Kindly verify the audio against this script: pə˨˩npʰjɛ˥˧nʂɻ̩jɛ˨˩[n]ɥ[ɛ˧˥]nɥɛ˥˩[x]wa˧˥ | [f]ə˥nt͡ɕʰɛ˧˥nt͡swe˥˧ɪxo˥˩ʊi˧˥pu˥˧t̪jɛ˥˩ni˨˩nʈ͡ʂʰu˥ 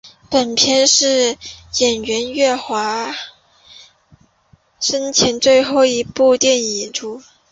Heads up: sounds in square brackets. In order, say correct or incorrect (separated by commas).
correct, correct, correct, incorrect